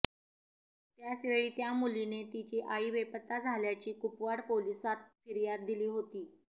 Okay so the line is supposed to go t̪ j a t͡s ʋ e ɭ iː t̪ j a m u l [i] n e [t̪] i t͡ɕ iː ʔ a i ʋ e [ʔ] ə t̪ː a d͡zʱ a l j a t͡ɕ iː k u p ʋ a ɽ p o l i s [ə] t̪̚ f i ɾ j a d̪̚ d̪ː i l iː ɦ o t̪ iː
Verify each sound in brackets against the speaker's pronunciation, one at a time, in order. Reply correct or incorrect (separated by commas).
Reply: correct, correct, incorrect, incorrect